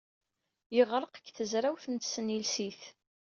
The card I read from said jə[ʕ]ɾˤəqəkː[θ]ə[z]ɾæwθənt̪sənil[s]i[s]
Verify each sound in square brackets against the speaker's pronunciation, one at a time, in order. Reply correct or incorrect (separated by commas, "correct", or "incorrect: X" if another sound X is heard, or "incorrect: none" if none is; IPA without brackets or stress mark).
incorrect: ʁ, correct, correct, correct, incorrect: θ